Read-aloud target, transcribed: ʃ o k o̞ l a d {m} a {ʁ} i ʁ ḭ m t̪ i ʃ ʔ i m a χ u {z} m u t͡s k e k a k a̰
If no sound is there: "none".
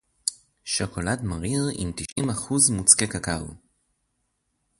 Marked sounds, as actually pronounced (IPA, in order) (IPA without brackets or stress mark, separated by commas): m, ʁ, z